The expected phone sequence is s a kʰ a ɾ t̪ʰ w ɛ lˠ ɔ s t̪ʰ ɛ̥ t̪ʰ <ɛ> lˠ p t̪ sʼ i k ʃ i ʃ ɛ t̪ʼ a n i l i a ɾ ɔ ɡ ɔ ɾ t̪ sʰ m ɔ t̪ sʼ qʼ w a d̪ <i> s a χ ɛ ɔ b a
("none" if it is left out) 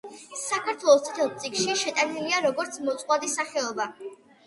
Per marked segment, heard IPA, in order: ɛ, i

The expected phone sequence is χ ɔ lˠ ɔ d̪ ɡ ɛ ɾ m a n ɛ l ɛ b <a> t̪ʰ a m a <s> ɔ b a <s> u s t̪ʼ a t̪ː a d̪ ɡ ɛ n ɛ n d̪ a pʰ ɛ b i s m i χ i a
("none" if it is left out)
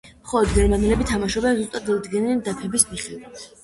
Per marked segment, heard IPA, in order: i, ʃ, z

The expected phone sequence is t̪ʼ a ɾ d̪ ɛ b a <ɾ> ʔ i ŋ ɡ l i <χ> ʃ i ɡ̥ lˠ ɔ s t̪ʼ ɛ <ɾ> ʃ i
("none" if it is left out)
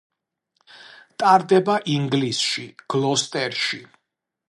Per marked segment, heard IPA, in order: none, s, ɾ

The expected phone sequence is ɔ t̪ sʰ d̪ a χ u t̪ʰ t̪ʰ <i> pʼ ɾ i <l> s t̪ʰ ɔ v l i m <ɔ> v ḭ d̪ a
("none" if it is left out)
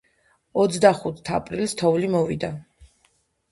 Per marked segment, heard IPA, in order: a, l, ɔ

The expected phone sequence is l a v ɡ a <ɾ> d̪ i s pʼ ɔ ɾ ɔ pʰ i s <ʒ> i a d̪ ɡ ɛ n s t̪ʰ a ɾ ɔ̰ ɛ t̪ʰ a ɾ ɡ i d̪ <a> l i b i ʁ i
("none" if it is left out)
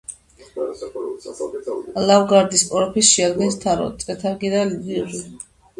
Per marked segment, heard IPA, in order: ɾ, ʃ, a

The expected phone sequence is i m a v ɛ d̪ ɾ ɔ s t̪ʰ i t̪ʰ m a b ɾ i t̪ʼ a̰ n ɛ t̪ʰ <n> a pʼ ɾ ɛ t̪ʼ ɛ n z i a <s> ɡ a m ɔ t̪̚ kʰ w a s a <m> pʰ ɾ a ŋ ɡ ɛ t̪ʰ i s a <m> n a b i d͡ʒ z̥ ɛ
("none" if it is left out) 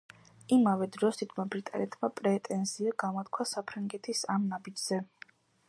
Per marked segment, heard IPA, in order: m, none, none, m

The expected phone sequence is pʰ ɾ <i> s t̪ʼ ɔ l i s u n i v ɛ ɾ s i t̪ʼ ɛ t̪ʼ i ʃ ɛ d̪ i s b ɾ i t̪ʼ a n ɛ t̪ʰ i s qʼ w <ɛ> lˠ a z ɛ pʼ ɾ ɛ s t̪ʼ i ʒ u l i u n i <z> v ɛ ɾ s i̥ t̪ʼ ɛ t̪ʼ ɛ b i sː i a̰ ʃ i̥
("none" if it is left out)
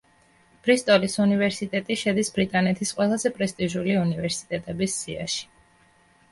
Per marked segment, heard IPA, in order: i, ɛ, none

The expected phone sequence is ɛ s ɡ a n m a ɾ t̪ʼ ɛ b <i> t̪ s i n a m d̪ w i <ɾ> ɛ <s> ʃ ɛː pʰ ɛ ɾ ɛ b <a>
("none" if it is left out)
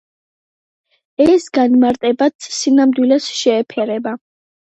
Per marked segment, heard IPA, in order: a, l, s, a

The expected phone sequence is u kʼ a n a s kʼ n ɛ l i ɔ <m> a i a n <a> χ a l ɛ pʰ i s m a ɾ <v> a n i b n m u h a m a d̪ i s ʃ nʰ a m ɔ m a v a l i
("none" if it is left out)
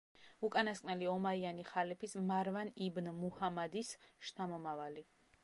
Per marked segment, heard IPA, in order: m, i, v

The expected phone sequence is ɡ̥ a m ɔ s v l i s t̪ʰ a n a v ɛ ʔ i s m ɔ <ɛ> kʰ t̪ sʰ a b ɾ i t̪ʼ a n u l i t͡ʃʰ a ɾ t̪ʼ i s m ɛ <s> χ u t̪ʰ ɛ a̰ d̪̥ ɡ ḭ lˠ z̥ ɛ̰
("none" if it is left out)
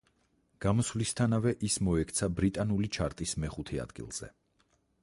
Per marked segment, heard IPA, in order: ɛ, none

